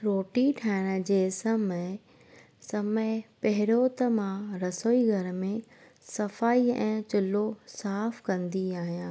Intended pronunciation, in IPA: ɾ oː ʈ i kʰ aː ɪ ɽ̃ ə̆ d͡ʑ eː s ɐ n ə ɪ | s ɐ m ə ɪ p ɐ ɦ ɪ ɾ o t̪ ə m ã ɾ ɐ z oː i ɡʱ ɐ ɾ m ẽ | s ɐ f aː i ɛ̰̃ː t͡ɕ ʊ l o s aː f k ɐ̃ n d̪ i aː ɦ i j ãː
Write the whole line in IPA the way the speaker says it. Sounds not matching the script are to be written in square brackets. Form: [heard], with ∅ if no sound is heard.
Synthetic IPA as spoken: ɾ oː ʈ i [ʈʰ] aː ɪ ɽ̃ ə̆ d͡ʑ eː s ɐ [m] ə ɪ | s ɐ m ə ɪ p ɐ ɦ ɪ ɾ o t̪ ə m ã ɾ ɐ [s] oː i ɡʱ ɐ ɾ m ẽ | s ɐ f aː i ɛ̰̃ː t͡ɕ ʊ l o s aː f k ɐ̃ n d̪ i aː ɦ i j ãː